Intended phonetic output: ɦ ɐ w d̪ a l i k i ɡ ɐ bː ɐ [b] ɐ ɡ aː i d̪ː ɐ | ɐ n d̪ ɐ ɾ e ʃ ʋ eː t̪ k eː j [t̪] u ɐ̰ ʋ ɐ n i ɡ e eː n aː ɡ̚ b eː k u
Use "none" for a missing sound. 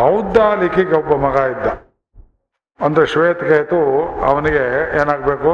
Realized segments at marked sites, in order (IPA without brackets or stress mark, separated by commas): m, t̪